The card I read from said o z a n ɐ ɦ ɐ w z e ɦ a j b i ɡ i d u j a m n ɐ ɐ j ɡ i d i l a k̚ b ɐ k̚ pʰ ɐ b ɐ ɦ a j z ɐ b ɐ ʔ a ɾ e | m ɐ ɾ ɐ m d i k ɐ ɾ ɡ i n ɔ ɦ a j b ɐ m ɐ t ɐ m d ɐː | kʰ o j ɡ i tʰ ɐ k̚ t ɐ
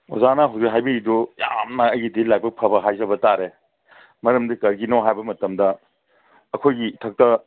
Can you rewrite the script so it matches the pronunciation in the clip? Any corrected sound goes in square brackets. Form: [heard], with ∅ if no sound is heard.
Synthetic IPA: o z a n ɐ ɦ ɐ w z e ɦ a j b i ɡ i d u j a m n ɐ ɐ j ɡ i d i l a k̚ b ɐ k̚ pʰ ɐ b ɐ ɦ a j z ɐ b ɐ [t] a ɾ e | m ɐ ɾ ɐ m d i k ɐ ɾ ɡ i n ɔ ɦ a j b ɐ m ɐ t ɐ m d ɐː | kʰ o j ɡ i tʰ ɐ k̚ t ɐ